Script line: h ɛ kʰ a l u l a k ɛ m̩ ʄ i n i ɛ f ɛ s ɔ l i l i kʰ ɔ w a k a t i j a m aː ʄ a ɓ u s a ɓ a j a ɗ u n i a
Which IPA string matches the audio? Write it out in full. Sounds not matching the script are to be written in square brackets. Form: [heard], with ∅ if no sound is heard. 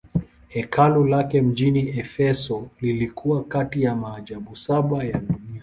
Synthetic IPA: h ɛ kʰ a l u l a k ɛ m̩ ʄ i n i ɛ f ɛ s ɔ l i l i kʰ [u] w a k a t i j a m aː ʄ a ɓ u s a ɓ a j a ɗ u n i a